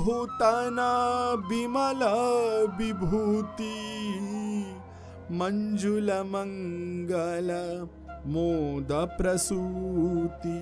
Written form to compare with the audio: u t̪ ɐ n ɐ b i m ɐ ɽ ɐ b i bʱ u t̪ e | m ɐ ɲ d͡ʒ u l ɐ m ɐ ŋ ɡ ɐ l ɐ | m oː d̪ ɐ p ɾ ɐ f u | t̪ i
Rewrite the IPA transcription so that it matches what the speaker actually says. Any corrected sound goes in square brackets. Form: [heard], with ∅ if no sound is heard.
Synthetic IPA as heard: u t̪ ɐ n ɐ b i m ɐ [l] ɐ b i bʱ u t̪ [i] | m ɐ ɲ d͡ʒ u l ɐ m ɐ ŋ ɡ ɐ l ɐ | m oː d̪ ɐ p ɾ ɐ [s] u | t̪ i